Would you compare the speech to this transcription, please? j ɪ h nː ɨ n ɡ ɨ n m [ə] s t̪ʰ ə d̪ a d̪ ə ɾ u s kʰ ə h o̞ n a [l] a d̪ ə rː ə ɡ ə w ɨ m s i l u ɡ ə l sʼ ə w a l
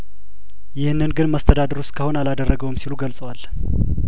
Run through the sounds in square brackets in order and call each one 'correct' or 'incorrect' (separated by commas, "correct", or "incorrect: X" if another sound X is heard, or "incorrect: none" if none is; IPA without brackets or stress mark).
correct, correct